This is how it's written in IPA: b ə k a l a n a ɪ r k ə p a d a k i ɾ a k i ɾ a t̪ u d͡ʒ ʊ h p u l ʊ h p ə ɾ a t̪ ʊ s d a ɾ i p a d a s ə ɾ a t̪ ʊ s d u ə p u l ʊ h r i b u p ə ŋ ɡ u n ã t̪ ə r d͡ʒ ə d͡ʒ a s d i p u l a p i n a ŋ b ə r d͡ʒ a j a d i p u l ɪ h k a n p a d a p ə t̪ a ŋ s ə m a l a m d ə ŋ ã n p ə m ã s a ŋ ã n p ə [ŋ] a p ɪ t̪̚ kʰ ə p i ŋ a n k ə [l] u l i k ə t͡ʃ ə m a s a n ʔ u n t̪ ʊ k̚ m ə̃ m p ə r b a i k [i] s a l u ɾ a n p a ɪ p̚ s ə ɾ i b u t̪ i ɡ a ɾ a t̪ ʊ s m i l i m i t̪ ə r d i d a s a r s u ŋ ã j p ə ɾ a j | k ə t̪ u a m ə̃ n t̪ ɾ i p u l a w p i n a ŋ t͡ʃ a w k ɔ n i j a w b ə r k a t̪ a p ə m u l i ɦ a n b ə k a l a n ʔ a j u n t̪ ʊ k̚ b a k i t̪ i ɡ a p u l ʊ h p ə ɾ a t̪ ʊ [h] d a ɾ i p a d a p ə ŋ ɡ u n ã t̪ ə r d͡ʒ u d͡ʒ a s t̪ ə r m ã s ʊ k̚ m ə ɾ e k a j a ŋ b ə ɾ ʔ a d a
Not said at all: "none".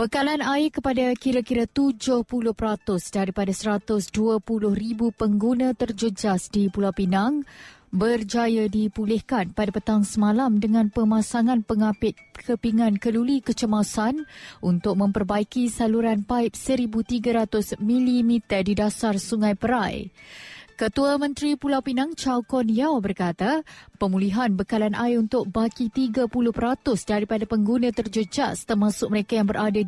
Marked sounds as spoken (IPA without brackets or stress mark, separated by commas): ŋ, l, i, s